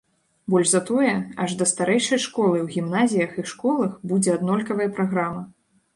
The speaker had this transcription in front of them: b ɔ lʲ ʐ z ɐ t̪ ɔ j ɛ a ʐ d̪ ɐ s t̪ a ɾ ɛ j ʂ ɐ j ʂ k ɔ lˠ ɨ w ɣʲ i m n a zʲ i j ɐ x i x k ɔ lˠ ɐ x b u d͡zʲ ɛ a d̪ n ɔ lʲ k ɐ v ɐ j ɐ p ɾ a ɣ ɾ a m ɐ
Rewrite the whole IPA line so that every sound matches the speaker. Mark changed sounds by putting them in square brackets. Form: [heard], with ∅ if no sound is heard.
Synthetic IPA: b ɔ lʲ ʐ z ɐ t̪ ɔ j ɛ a ʐ d̪ ɐ s t̪ a ɾ ɛ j ʂ ɐ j ʂ k ɔ lˠ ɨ w ɣʲ i m n a zʲ i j ɐ x i [ʂ] k ɔ lˠ ɐ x b u d͡zʲ ɛ a d̪ n ɔ lʲ k ɐ v ɐ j ɐ p ɾ a ɣ ɾ a m ɐ